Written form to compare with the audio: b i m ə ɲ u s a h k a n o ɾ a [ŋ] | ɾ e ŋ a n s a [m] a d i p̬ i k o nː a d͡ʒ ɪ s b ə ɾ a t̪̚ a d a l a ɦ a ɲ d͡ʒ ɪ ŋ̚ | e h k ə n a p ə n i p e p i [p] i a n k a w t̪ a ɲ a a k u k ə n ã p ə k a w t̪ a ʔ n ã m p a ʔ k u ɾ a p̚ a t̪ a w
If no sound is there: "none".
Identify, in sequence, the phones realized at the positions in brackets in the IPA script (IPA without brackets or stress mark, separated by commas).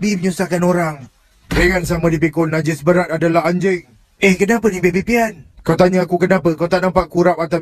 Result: ŋ, m, p